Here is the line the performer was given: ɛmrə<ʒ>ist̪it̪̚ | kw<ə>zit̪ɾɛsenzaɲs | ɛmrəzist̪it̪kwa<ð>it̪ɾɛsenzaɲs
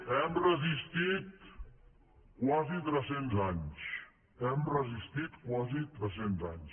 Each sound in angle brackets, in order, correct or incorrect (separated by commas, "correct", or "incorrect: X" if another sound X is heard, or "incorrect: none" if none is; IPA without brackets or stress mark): incorrect: z, incorrect: a, incorrect: z